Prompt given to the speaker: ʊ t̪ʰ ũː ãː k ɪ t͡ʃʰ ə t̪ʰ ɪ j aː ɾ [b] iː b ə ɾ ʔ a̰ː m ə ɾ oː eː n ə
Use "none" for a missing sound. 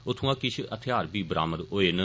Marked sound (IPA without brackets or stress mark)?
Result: b